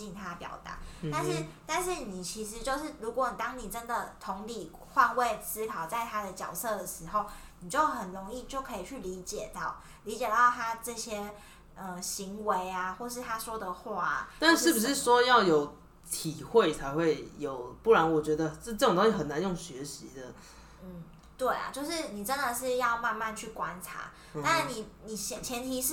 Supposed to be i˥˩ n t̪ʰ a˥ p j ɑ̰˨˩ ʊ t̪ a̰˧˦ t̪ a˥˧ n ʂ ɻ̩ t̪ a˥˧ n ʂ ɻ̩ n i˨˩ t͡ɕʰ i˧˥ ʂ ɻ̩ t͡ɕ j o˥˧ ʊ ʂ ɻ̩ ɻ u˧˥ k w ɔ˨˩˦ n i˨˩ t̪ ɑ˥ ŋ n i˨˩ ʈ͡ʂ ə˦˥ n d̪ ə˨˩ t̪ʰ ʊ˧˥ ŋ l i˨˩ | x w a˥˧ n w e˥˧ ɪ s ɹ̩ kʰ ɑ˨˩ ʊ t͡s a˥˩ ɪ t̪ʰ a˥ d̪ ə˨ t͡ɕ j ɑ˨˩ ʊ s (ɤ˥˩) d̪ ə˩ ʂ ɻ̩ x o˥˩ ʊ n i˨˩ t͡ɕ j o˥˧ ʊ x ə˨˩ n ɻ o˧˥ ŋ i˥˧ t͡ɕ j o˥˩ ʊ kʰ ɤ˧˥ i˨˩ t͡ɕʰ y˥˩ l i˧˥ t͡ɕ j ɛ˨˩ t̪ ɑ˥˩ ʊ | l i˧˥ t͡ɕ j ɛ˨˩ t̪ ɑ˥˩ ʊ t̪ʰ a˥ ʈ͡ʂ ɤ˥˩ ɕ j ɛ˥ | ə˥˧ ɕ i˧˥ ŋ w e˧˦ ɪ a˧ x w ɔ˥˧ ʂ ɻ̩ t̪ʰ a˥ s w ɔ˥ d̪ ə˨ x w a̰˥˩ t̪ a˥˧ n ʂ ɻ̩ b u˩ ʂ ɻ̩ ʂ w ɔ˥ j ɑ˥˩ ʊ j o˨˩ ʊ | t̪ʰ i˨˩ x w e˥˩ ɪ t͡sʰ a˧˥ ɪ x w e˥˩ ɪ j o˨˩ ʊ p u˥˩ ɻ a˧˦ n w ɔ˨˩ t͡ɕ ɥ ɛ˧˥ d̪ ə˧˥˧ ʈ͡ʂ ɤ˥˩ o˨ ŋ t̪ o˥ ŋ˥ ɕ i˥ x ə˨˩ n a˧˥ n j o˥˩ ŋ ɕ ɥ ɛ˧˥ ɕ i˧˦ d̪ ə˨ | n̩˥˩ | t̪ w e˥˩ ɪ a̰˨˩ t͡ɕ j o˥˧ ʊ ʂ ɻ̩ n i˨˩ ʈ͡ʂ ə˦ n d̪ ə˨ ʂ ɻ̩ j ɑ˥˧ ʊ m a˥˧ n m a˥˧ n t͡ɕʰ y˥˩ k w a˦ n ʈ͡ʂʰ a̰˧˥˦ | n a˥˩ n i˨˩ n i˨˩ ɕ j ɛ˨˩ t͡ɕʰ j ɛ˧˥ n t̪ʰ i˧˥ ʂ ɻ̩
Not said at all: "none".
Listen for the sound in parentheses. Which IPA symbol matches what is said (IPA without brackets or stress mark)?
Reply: ɤ˥˩